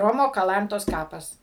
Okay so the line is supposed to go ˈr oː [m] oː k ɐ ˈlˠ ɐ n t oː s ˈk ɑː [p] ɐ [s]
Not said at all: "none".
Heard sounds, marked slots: m, p, s

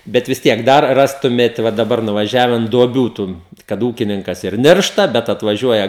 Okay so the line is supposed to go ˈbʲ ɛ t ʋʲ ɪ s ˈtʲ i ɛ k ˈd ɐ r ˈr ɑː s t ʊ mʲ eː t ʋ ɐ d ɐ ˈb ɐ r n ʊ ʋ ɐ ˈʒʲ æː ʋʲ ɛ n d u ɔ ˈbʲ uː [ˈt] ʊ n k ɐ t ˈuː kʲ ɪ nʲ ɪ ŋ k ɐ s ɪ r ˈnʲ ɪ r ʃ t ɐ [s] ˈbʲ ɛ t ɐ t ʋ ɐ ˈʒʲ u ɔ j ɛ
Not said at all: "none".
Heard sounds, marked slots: t, none

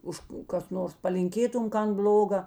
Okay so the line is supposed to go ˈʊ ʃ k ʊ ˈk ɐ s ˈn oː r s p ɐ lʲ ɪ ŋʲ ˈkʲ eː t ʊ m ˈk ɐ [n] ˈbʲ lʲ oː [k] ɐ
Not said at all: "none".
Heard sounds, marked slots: n, ɡ

